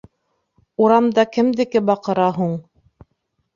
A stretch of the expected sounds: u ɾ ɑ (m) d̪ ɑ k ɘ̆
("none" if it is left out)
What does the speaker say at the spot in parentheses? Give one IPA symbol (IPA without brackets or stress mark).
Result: m